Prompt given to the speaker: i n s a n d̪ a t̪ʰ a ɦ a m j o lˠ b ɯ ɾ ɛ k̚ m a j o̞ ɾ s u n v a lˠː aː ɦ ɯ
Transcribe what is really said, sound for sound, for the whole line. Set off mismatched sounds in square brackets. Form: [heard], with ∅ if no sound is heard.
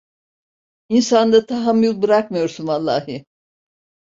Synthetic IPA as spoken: i n s a n d̪ a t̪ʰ a ɦ a m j [u] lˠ b ɯ ɾ [a] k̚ m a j o̞ ɾ s u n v a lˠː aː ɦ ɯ